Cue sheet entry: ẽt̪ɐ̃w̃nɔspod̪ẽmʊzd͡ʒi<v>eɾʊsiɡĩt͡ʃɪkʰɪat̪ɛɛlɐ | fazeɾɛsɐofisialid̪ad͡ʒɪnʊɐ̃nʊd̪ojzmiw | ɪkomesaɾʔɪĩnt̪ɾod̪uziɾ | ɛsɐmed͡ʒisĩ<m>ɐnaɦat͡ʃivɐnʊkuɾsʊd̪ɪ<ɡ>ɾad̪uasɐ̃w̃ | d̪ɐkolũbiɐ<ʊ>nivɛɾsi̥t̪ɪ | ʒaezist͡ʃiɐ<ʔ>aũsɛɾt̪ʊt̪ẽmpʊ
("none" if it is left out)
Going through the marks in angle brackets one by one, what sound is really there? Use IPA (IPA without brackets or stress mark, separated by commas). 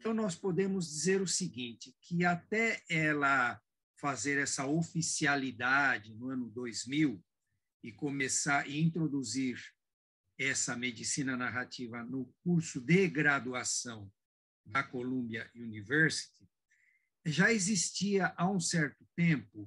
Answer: z, n, ɡ, u, ʔ